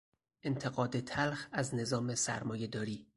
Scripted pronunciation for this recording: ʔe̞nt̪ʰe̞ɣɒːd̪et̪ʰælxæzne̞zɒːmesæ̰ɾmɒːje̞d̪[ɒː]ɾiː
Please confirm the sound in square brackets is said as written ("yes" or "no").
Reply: yes